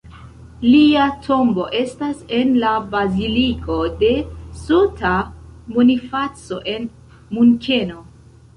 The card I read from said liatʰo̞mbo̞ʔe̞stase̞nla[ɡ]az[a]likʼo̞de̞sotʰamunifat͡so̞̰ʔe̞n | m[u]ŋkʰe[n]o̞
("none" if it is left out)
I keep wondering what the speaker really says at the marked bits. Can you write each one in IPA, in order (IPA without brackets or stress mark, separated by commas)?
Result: b, i, u, n